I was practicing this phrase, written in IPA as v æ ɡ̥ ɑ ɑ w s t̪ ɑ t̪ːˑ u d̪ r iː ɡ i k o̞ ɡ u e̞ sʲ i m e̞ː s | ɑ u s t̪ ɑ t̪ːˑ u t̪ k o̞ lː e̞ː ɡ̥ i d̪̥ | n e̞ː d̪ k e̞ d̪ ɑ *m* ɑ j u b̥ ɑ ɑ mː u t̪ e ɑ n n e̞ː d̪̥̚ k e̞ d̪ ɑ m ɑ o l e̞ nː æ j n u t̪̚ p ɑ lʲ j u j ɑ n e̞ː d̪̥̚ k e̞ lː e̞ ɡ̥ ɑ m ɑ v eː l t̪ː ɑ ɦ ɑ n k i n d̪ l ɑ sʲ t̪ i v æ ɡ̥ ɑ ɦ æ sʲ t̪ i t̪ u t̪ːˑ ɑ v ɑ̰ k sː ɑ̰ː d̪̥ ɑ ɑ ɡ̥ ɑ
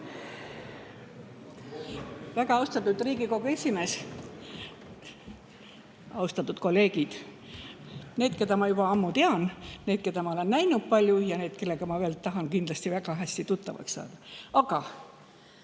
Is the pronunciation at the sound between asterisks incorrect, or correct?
correct